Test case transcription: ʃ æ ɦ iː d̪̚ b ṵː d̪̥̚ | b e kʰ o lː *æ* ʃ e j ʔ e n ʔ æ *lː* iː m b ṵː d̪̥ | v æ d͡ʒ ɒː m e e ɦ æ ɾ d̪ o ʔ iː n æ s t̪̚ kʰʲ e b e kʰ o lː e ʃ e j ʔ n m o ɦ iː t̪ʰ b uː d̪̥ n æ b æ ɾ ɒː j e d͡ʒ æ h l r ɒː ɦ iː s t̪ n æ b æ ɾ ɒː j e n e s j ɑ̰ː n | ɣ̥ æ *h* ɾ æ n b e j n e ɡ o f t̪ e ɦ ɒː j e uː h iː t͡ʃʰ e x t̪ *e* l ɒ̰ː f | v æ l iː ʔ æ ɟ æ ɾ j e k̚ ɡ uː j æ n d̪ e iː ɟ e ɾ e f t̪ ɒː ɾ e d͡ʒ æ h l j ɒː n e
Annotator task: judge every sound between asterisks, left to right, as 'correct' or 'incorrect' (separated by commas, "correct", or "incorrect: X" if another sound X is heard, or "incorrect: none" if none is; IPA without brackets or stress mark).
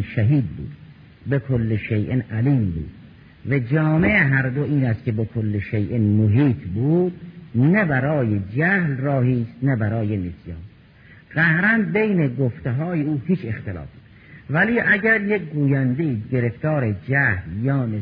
incorrect: e, incorrect: l, correct, correct